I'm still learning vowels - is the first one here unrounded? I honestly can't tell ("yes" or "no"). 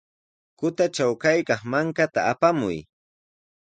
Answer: no